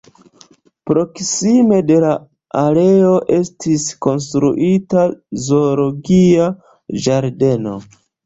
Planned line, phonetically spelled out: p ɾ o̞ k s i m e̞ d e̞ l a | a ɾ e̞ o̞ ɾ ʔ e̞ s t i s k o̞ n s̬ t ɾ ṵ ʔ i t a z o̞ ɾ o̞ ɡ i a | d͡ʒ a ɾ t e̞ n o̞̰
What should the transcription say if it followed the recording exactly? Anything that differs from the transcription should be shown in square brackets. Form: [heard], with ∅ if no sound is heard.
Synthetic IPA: p ɾ o̞ k s i m e̞ d e̞ l a | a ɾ e̞ o̞ [∅] ʔ e̞ s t i s k o̞ n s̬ t ɾ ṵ ʔ i t a z o̞ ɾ o̞ ɡ i a | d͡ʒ a ɾ [d] e̞ n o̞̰